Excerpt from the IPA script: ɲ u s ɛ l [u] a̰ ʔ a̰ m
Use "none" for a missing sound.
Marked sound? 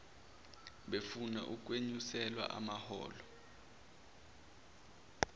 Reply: w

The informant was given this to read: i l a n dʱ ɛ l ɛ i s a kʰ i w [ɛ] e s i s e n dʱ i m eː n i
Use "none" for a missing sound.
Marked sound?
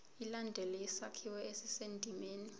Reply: ɛ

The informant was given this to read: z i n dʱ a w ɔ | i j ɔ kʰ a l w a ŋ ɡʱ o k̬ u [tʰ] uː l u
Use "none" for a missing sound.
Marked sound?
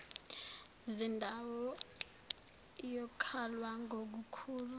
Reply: kʰ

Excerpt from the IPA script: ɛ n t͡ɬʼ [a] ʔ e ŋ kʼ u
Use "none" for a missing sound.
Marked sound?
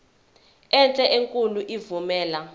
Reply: ɛ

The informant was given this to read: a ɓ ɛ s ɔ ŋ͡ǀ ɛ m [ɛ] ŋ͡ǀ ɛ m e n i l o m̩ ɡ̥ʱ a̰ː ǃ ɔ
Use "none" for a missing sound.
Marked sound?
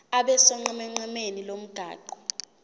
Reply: ɛ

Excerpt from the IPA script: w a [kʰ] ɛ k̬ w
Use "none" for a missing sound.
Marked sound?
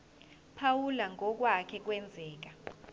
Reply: kʰ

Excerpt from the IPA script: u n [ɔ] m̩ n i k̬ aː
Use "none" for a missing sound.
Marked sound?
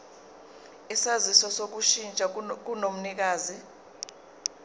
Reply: o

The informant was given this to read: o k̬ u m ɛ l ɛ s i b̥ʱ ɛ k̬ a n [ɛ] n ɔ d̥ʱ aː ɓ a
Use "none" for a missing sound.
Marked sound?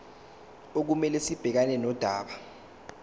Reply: ɛ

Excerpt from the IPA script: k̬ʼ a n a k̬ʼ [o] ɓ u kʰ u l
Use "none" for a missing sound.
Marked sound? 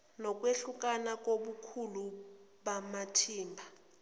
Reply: o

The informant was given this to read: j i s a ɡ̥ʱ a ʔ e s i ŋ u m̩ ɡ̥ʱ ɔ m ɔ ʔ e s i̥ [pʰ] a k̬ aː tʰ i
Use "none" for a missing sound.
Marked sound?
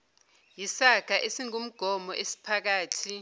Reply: pʰ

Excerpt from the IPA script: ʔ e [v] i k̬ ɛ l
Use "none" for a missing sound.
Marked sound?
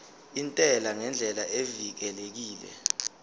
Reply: v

